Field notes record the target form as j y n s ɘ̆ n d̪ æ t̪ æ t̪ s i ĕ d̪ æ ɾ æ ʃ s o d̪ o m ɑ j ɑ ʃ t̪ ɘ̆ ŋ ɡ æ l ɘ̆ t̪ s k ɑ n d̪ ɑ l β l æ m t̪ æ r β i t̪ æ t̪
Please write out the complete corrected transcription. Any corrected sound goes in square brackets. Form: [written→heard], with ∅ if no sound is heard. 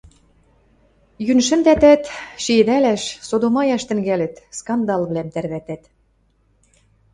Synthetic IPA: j y n [s→ʃ] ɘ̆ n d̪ æ t̪ æ t̪ [s→ʃ] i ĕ d̪ æ [ɾ→l] æ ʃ s o d̪ o m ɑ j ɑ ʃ t̪ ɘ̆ ŋ ɡ æ l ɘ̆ t̪ s k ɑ n d̪ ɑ l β l æ m t̪ æ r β [i→æ] t̪ æ t̪